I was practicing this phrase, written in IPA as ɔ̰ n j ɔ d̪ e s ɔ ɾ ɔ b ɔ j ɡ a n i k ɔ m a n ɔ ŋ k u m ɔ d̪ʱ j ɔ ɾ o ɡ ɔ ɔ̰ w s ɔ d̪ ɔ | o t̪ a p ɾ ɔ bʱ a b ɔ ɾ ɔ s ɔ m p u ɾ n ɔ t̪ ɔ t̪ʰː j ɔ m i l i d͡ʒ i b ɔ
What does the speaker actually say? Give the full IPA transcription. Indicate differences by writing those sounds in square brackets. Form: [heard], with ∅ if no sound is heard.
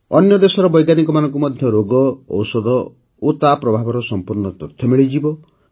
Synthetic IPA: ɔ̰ n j ɔ d̪ e s ɔ ɾ ɔ b ɔ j ɡ a n i k ɔ m a n ɔ ŋ k u m ɔ d̪ʱ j ɔ ɾ o ɡ ɔ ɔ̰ w s ɔ d̪ ɔ | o t̪ a p ɾ ɔ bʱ a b ɔ ɾ ɔ s ɔ m p u ɾ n ɔ t̪ ɔ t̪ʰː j ɔ m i [ɭ] i d͡ʒ i b ɔ